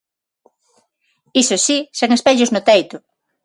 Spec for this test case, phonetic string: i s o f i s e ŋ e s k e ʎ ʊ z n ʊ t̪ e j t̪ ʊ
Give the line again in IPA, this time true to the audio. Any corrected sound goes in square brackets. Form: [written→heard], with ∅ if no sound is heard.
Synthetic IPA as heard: i s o [f→s] i s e ŋ e s [k→p] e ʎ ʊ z n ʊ t̪ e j t̪ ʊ